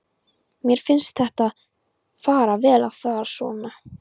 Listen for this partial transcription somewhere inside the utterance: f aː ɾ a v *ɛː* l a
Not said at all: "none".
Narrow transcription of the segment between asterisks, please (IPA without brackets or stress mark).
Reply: ɛː